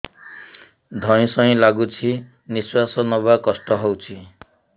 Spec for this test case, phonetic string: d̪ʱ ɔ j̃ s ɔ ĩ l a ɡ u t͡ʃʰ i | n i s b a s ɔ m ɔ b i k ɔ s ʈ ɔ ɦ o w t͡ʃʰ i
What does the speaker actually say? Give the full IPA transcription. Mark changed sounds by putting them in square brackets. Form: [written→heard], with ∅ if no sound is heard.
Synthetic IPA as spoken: d̪ʱ ɔ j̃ s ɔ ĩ l a ɡ u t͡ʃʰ i | n i s [b→w] a s ɔ [m→n] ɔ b [i→a] k ɔ s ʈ ɔ ɦ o w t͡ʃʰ i